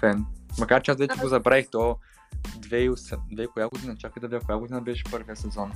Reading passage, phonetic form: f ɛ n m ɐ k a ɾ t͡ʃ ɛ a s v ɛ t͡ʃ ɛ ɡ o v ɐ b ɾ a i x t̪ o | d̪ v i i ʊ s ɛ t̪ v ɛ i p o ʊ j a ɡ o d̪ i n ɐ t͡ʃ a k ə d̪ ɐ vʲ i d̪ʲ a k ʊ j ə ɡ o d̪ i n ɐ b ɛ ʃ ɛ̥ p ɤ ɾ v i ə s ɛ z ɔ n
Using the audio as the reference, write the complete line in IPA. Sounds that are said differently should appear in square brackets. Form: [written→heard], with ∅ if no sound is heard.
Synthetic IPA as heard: f ɛ n m ɐ k a ɾ t͡ʃ ɛ a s v ɛ t͡ʃ ɛ ɡ o [v→z] ɐ b ɾ a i x t̪ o | d̪ v [i→ɛ] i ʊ s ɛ [t̪→d̪] v ɛ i [p→k] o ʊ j a ɡ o d̪ i n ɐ t͡ʃ a k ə d̪ ɐ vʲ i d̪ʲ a k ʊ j [ə→a] ɡ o d̪ i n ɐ b ɛ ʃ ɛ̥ p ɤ ɾ v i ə s ɛ z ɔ n